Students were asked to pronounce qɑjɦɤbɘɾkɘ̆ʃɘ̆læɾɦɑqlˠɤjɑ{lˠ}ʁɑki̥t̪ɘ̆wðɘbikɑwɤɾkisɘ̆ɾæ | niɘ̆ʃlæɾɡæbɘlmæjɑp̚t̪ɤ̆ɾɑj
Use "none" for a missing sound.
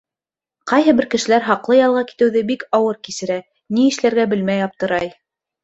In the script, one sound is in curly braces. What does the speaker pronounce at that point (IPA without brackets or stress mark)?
lˠ